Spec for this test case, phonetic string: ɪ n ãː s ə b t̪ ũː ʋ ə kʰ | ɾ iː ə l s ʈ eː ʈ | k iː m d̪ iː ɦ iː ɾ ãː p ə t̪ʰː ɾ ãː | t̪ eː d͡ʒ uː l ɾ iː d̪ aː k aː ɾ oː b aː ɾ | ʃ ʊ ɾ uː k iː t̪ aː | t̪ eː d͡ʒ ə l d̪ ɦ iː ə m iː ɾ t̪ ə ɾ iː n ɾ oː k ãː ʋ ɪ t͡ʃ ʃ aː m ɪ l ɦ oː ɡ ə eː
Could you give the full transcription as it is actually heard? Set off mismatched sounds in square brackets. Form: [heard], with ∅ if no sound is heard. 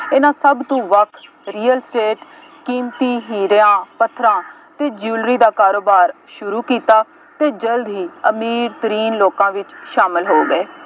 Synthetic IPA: ɪ n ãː s ə b t̪ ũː ʋ ə kʰ | ɾ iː ə l s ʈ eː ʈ | k iː m [t̪] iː ɦ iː ɾ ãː p ə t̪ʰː ɾ ãː | t̪ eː d͡ʒ uː l ɾ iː d̪ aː k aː ɾ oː b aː ɾ | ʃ ʊ ɾ uː k iː t̪ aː | t̪ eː d͡ʒ ə l d̪ ɦ iː ə m iː ɾ t̪ ə ɾ iː n [l] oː k ãː ʋ ɪ t͡ʃ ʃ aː m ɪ l ɦ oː ɡ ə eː

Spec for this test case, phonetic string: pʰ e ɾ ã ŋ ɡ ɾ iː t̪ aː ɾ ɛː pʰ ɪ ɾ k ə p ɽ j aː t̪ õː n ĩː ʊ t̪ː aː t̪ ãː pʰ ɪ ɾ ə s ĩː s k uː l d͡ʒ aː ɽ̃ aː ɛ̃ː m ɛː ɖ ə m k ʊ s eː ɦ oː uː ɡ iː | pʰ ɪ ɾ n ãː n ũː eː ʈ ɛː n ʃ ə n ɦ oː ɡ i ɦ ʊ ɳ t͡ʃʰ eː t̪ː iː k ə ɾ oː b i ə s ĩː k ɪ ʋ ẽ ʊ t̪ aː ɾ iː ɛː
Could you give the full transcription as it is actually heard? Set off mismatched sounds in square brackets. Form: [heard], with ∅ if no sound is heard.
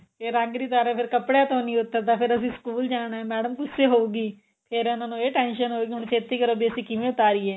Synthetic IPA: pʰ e ɾ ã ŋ ɡ ɾ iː t̪ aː ɾ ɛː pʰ ɪ ɾ k ə p ɽ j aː t̪ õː n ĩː ʊ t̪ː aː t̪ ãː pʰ ɪ ɾ ə s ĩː s k uː l d͡ʒ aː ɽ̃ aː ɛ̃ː m ɛː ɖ ə m k ʊ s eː ɦ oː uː ɡ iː | pʰ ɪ ɾ n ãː n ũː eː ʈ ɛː n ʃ ə n ɦ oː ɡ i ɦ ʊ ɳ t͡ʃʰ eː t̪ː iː k ə ɾ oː b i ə s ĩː k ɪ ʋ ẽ ʊ t̪ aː ɾ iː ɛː

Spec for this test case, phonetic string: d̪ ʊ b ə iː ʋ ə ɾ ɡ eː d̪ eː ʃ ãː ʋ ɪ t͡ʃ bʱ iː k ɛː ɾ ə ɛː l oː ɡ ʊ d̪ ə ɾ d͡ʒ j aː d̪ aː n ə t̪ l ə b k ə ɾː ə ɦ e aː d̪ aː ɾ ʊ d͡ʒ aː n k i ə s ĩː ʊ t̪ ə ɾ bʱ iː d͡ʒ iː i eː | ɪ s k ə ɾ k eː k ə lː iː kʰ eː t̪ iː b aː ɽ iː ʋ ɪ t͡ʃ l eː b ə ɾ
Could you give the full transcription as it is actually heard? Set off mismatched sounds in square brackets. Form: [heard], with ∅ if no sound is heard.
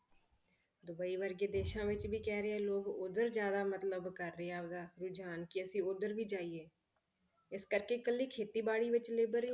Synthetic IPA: d̪ ʊ b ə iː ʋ ə ɾ ɡ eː d̪ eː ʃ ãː ʋ ɪ t͡ʃ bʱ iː k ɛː ɾ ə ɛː l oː ɡ ʊ d̪ ə ɾ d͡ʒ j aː d̪ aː [m] ə t̪ l ə b k ə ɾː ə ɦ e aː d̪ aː ɾ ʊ d͡ʒ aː n k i ə s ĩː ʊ [d̪] ə ɾ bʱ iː d͡ʒ [aː] i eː | ɪ s k ə ɾ k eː k ə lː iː kʰ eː t̪ iː b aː ɽ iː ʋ ɪ t͡ʃ l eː b ə ɾ

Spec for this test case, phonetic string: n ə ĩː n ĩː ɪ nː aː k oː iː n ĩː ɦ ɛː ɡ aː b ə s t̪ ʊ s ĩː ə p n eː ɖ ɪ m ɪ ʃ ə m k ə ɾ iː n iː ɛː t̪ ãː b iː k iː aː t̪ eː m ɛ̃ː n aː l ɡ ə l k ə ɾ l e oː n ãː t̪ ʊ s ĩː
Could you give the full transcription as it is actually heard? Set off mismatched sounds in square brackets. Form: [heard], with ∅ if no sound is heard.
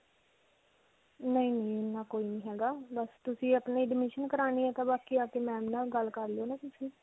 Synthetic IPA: n ə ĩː n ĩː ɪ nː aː k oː iː n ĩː ɦ ɛː ɡ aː b ə s t̪ ʊ s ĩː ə p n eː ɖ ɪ m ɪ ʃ ə [n] k ə ɾ [aː] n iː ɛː t̪ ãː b [aː] k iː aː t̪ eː m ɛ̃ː n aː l ɡ ə l k ə ɾ l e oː n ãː t̪ ʊ s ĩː

